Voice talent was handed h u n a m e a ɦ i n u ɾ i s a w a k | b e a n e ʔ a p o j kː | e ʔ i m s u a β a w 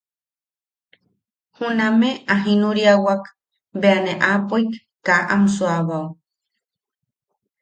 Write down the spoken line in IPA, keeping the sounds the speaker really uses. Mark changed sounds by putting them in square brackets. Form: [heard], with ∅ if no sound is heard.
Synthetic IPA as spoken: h u n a m e a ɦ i n u ɾ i [∅] a w a k | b e a n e ʔ a p o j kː | [a] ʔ [a] m s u a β a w